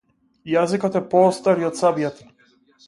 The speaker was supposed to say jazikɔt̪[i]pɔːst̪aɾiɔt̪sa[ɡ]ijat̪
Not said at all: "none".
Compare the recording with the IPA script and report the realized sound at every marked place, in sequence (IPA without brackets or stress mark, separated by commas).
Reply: ɛ, b